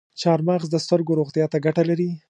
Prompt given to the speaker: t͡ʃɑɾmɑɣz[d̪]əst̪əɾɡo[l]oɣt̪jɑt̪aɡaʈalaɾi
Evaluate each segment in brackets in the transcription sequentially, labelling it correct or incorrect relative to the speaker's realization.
correct, incorrect

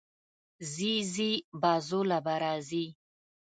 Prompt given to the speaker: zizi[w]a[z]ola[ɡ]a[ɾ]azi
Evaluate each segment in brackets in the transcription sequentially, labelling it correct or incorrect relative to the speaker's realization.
incorrect, correct, incorrect, correct

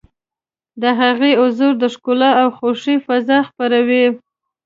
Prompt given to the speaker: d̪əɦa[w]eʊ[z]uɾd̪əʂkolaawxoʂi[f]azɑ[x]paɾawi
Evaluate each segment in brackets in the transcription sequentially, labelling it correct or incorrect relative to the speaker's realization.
incorrect, correct, correct, correct

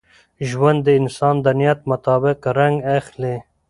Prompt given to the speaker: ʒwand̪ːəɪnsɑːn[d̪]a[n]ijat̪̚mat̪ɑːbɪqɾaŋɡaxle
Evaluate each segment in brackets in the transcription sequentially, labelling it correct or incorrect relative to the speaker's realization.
correct, correct

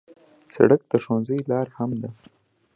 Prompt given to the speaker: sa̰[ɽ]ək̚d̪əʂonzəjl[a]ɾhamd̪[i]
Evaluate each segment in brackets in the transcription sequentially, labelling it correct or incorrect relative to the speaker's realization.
correct, incorrect, incorrect

